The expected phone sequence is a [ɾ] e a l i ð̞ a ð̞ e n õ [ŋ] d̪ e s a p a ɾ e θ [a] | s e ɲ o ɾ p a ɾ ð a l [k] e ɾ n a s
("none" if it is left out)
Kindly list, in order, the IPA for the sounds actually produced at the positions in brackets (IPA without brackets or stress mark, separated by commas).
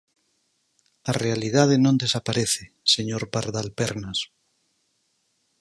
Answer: r, n, e, p